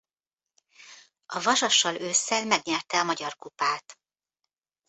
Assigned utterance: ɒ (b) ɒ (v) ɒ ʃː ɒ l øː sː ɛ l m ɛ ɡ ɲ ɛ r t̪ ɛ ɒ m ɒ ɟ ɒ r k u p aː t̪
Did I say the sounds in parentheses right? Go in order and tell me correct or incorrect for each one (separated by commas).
incorrect, incorrect